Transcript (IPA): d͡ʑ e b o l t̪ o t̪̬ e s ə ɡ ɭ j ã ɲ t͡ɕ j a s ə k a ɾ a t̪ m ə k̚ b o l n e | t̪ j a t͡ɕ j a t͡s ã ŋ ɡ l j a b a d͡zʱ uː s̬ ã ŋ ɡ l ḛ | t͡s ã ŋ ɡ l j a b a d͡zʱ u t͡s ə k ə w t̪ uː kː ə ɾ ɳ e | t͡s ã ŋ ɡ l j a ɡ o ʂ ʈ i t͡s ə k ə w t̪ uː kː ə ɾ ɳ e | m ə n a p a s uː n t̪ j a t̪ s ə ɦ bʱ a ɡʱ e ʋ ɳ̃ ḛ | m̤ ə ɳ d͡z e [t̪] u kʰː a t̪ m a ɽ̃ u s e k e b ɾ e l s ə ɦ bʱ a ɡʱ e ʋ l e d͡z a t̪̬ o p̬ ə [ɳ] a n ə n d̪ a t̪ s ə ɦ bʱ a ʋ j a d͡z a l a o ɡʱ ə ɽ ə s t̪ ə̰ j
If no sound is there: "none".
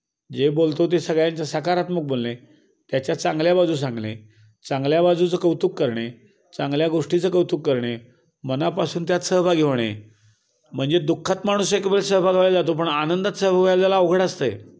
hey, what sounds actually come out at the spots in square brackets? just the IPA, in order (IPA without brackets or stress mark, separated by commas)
d̪, ɳ